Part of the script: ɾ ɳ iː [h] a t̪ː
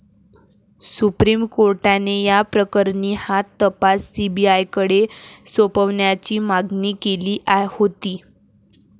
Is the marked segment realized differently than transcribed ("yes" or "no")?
no